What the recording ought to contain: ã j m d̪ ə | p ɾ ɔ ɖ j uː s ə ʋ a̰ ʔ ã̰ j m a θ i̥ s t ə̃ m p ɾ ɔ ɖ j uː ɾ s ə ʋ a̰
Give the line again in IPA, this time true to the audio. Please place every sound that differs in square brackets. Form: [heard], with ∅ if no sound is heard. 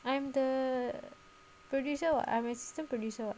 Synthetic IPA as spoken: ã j m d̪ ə | p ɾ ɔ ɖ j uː s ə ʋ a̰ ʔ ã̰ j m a [s] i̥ s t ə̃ m p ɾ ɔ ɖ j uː [∅] s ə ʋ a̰